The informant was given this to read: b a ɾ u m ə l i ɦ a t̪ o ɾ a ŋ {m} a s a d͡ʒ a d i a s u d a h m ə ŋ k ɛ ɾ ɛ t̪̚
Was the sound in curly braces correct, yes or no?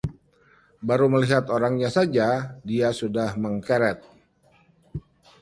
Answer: no